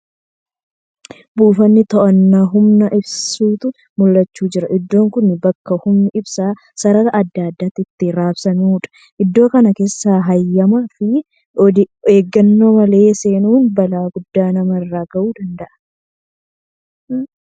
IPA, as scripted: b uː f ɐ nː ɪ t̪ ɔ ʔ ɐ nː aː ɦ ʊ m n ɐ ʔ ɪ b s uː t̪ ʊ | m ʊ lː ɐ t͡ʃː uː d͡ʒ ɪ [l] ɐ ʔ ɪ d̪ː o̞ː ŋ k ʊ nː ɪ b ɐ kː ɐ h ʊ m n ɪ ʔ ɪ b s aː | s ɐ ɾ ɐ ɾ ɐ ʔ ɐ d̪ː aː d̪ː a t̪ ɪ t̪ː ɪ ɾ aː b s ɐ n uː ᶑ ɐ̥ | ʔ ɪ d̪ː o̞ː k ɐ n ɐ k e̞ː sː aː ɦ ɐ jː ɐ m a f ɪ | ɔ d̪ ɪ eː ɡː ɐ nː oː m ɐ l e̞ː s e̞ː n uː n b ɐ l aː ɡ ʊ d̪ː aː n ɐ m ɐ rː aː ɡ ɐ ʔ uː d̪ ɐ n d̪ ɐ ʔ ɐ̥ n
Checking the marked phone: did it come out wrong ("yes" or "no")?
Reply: yes